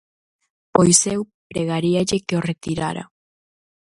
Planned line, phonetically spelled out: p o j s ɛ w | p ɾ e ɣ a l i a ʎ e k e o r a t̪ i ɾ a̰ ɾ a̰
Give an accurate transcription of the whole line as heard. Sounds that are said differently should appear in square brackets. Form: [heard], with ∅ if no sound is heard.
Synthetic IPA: p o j s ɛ w | p ɾ e ɣ a [ɾ] i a ʎ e k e o r [e] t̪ i ɾ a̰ ɾ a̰

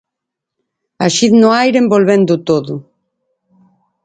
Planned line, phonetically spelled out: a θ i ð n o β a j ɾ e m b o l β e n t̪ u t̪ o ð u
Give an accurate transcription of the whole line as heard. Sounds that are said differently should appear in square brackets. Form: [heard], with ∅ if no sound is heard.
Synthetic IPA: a [ʃ] i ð n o [∅] a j ɾ e m b o l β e n [d̪] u t̪ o ð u

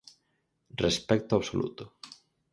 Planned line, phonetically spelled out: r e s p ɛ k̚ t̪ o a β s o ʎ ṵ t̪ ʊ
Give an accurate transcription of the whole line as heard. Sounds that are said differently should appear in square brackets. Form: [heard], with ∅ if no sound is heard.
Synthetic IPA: r e s p ɛ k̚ t̪ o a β s o [l] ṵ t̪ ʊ

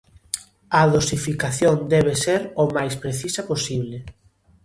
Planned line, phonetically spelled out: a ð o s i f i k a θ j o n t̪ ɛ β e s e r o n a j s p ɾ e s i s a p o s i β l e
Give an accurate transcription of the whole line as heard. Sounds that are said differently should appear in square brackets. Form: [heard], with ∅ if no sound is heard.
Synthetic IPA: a ð o s i f i k a θ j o n [d̪] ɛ β e s e [ɾ] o [m] a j s p ɾ e [θ] i s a p o s i β l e

